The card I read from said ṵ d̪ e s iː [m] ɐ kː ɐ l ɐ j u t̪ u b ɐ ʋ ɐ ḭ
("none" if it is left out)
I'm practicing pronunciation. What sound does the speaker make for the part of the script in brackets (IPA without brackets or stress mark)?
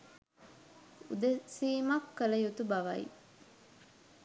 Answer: m